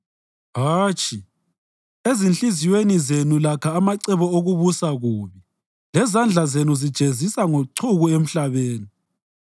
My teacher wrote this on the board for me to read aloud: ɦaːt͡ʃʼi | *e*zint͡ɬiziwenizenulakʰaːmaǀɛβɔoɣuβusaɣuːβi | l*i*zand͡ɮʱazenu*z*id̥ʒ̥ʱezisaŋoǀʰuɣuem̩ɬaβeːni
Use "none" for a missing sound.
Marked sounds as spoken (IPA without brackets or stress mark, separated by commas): e, ɛ, z